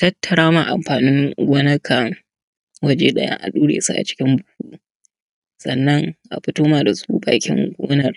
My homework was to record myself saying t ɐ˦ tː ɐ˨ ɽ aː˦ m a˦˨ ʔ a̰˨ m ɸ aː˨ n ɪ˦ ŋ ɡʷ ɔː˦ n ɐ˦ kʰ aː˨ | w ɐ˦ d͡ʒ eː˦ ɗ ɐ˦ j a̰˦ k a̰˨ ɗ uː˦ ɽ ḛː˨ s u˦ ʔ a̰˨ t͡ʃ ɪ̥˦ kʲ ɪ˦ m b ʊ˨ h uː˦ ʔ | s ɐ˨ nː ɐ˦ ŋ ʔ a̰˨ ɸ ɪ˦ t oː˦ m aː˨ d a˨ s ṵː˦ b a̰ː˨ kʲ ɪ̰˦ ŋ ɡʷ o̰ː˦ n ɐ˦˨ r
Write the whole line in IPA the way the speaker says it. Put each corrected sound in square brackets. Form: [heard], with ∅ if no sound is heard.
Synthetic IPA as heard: t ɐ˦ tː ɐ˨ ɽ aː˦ m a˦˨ ʔ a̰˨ m ɸ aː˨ n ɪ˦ ŋ ɡʷ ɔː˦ n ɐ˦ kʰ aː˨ | w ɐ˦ d͡ʒ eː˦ ɗ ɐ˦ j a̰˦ [ʔ] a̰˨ ɗ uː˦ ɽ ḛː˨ s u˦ ʔ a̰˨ t͡ʃ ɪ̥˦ kʲ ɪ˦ m b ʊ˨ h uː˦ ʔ | s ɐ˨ nː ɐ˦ ŋ ʔ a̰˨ ɸ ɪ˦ t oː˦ m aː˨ d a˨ s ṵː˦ b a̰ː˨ kʲ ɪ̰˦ ŋ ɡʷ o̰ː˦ n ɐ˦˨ r